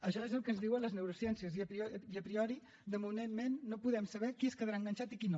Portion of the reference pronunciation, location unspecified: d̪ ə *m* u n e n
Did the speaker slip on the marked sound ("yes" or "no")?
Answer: no